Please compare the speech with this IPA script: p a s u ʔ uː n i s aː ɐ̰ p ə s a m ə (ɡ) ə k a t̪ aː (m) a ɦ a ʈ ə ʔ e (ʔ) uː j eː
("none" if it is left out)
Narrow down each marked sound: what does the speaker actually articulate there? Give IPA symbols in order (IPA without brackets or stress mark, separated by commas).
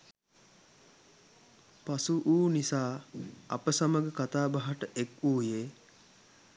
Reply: ɡ, b, k